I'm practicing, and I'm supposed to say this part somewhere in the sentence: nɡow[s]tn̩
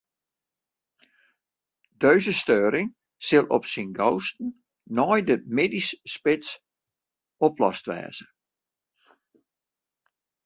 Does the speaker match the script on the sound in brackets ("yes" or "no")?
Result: yes